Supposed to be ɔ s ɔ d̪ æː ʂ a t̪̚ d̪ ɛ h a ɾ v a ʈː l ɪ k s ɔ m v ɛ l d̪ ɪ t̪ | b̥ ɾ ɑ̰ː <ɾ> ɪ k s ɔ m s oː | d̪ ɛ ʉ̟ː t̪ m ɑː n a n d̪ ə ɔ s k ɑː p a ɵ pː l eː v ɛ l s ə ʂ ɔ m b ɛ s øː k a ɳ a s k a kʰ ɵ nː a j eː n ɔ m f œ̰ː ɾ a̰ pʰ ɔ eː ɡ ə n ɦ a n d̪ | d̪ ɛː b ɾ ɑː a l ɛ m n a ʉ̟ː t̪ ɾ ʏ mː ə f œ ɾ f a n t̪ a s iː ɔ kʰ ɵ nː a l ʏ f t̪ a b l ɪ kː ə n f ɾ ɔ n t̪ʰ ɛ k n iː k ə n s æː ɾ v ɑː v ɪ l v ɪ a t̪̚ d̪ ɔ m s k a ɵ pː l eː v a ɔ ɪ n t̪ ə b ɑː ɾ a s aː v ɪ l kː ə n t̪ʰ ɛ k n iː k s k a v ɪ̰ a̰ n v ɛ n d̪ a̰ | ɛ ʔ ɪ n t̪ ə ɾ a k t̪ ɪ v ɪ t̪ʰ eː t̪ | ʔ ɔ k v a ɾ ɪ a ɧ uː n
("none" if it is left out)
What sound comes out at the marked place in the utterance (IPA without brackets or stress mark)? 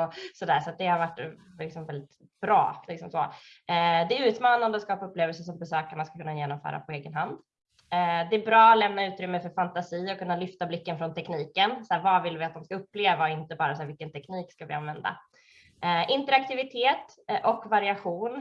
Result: l